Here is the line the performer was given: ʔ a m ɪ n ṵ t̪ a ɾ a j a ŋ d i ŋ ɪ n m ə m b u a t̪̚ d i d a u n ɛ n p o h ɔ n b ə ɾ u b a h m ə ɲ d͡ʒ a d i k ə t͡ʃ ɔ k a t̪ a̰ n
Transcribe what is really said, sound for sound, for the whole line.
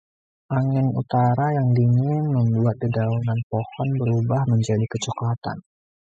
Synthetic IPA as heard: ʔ a ŋ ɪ n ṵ t̪ a ɾ a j a ŋ d i ŋ ɪ n m ə m b u a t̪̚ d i d a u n a n p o h ɔ n b ə ɾ u b a h m ə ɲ d͡ʒ a d i k ə t͡ʃ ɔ k a t̪ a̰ n

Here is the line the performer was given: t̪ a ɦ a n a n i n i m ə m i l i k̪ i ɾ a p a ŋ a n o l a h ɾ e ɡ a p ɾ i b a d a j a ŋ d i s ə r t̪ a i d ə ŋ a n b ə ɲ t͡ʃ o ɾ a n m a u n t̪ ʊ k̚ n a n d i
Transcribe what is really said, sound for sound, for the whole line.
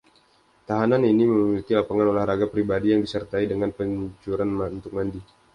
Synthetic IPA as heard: t̪ a ɦ a n a n i n i m ə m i l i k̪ i l a p a ŋ a n o l a h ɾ a ɡ a p ɾ i b a d i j a ŋ d i s ə r t̪ a i d ə ŋ a n p ə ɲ t͡ʃ u ɾ a n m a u n t̪ ʊ k̚ m a n d i

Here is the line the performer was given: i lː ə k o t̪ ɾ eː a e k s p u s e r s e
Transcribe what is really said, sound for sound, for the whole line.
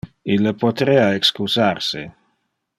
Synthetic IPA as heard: i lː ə p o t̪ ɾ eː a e k s k u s a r s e

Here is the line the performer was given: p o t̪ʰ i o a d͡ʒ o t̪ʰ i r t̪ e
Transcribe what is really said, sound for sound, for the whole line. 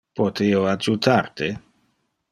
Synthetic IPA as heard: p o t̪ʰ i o a d͡ʒ u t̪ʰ a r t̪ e

